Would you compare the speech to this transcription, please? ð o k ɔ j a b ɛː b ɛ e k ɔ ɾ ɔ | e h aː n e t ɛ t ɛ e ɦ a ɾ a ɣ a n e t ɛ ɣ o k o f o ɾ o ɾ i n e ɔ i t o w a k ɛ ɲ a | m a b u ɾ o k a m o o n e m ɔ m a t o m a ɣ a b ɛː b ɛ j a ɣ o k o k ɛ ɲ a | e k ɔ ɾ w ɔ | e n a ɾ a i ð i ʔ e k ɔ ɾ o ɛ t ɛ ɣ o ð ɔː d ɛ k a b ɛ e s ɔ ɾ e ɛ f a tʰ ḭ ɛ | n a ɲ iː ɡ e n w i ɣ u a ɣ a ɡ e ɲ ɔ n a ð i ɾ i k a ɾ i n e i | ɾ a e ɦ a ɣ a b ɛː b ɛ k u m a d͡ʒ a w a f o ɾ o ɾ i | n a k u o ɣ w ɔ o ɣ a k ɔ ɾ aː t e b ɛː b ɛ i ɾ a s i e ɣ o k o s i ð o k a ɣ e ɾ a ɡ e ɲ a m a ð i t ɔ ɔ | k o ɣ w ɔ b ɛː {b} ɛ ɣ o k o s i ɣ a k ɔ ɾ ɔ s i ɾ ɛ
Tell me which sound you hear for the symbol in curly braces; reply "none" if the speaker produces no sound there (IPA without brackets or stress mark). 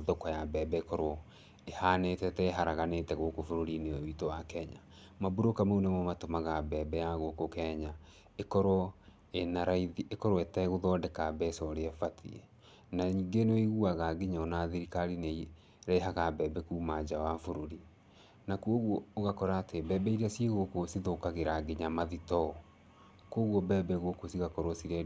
b